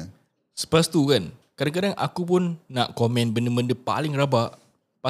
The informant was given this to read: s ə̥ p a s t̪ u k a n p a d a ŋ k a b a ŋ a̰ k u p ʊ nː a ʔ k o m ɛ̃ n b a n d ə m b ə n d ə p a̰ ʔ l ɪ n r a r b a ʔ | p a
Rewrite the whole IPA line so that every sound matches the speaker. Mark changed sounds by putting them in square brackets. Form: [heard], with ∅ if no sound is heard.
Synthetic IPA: s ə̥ p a s t̪ u k a n [k] a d a ŋ k a [d] a ŋ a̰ k u p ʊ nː a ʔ k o m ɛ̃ n b [ə] n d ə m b ə n d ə p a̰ [∅] l ɪ [ŋ] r a [∅] b a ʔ | p a